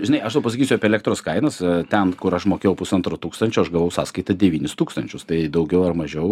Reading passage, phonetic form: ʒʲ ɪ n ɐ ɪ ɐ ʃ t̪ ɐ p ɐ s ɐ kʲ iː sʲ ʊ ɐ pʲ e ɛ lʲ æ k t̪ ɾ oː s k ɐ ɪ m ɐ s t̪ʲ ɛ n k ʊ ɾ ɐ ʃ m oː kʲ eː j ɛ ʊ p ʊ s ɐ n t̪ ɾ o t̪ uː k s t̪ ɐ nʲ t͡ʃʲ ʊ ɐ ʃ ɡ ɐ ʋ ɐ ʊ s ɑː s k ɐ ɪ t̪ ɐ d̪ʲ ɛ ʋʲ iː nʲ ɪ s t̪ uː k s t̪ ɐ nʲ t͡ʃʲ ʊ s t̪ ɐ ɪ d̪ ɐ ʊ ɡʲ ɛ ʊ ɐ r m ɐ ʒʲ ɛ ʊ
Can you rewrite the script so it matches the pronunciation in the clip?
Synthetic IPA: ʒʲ ɪ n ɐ ɪ ɐ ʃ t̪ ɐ p ɐ s ɐ kʲ iː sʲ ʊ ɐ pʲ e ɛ lʲ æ k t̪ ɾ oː s k ɐ ɪ n ɐ s t̪ʲ ɛ n k ʊ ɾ ɐ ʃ m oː kʲ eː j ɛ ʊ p ʊ s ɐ n t̪ ɾ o t̪ uː k s t̪ ɐ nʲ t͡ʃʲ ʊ ɐ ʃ ɡ ɐ ʋ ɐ ʊ s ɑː s k ɐ ɪ t̪ ɐ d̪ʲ ɛ ʋʲ iː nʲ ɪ s t̪ uː k s t̪ ɐ nʲ t͡ʃʲ ʊ s t̪ ɐ ɪ d̪ ɐ ʊ ɡʲ ɛ ʊ ɐ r m ɐ ʒʲ ɛ ʊ